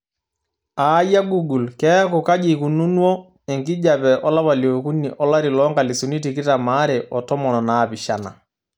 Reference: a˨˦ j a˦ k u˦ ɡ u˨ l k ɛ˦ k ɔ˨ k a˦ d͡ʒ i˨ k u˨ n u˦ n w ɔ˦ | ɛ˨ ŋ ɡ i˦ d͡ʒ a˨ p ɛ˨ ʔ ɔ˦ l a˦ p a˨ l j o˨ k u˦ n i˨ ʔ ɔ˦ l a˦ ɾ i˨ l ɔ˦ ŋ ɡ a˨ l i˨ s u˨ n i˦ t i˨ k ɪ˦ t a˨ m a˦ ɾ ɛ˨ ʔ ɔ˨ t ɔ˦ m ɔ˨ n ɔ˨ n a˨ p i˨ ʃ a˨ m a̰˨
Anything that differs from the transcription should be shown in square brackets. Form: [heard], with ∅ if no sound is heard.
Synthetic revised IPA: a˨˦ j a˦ [ɡ] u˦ ɡ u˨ l k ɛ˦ k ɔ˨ k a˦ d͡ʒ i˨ k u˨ n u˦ n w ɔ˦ | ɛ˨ ŋ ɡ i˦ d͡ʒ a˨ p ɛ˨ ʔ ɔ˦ l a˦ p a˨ l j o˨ k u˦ n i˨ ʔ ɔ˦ l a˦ ɾ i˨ l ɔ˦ ŋ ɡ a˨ l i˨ s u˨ n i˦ t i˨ k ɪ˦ t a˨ m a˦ ɾ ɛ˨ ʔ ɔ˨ t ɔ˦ m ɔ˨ n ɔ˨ n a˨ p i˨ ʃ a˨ [n] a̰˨

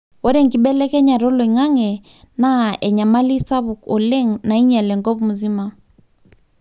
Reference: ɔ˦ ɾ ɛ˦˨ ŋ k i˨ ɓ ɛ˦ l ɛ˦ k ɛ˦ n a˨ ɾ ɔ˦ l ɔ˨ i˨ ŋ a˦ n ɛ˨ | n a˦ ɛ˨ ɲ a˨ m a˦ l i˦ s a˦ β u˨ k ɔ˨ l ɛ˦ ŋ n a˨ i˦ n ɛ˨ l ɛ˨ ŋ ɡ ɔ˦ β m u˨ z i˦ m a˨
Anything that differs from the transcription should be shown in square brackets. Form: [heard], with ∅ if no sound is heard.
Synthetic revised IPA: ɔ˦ ɾ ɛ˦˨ ŋ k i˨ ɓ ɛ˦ l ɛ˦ k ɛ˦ [ɲ] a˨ ɾ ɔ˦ l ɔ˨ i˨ ŋ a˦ [ŋ] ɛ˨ | n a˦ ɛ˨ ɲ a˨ m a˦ l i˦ s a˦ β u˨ k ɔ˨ l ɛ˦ ŋ n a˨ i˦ [ɲ] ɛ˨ l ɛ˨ ŋ ɡ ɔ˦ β m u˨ z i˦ m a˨

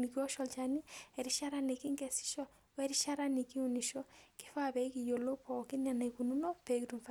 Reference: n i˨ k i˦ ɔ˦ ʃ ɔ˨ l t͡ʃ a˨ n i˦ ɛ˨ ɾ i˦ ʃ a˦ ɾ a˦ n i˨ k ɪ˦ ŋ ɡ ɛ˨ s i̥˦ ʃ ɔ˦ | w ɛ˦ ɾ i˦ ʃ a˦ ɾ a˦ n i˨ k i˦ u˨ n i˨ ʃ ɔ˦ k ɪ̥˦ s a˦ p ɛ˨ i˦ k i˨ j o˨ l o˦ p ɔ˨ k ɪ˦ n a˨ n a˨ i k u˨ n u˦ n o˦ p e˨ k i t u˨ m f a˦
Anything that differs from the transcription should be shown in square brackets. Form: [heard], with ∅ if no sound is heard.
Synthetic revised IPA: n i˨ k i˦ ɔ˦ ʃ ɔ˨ l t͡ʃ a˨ n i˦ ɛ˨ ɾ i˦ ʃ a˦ ɾ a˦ n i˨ k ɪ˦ ŋ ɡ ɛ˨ s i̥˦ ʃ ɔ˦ | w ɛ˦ ɾ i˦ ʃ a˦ ɾ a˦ n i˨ k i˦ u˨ n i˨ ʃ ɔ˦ k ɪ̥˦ [f] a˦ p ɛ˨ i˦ k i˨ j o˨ l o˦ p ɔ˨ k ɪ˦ n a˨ n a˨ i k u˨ n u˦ n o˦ p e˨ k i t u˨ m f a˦

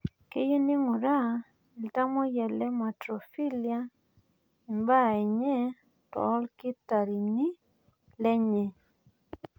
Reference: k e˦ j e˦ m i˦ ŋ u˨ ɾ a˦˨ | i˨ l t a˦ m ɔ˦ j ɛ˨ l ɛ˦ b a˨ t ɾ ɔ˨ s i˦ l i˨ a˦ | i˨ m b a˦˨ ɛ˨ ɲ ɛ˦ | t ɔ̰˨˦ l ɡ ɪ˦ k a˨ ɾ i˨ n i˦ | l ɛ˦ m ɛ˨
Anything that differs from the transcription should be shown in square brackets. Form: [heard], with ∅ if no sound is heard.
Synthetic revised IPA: k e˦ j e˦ [n] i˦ ŋ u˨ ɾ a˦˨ | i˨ l t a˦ m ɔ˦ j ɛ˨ l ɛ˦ [m] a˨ t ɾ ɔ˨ [f] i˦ l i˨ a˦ | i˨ m b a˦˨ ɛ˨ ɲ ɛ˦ | t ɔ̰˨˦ l [k] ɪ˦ [t] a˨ ɾ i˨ n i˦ | l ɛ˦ [ɲ] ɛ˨

